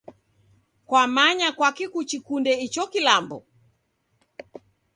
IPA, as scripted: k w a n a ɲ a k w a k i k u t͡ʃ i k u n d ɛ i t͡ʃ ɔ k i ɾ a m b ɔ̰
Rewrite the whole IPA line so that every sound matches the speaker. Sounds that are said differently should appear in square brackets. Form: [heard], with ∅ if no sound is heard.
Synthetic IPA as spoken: k w a [m] a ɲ a k w a k i k u t͡ʃ i k u n d ɛ i t͡ʃ ɔ k i [l] a m b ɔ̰